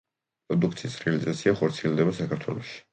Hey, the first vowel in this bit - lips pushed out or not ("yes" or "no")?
yes